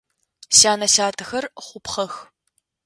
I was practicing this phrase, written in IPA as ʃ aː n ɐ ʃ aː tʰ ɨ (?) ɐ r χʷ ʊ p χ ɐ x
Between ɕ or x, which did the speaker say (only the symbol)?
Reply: x